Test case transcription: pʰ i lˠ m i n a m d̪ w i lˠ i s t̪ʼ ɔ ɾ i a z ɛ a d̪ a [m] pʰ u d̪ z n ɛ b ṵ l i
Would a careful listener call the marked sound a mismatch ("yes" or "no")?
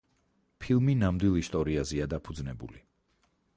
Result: yes